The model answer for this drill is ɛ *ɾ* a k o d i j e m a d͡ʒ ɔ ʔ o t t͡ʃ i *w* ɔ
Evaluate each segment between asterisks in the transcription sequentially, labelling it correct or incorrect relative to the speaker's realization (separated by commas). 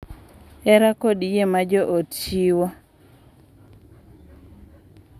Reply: correct, correct